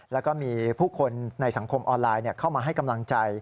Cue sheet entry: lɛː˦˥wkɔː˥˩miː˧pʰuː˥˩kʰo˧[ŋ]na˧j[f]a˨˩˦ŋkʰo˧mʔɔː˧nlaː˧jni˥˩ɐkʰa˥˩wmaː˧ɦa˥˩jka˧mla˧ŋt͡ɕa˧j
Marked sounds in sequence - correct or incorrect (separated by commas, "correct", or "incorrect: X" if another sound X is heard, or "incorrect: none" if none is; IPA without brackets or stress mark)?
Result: incorrect: n, incorrect: s